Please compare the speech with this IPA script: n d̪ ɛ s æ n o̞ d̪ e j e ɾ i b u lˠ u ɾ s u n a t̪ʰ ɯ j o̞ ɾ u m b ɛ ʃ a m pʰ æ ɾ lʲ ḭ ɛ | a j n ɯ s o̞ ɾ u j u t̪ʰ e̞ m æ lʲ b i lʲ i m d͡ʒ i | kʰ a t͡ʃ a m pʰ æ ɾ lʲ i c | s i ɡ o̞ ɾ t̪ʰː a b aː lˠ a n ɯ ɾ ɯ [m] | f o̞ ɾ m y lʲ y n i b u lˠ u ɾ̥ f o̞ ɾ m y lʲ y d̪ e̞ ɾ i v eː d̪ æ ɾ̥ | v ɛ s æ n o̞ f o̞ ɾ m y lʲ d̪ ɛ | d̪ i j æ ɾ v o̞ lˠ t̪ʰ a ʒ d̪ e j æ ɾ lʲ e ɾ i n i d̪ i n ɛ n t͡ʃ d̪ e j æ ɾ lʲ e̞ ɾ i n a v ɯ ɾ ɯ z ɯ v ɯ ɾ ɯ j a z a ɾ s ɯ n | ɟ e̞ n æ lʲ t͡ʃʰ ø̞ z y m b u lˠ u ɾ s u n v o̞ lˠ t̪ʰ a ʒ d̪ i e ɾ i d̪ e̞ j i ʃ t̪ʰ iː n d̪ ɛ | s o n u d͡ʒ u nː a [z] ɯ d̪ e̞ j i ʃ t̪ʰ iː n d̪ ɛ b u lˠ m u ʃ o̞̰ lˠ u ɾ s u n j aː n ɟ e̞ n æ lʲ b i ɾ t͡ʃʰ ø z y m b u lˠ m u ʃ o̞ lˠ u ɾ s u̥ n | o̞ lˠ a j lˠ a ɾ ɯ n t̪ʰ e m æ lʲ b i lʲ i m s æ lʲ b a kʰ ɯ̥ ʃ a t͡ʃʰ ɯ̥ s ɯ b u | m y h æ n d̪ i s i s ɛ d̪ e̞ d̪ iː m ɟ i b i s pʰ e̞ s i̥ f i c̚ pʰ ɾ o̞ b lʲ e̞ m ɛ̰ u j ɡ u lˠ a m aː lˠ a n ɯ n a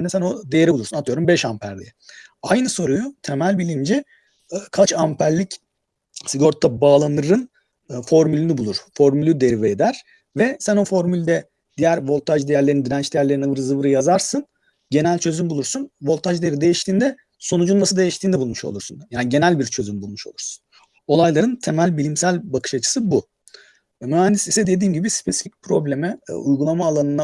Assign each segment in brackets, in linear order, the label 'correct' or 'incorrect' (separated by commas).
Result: incorrect, incorrect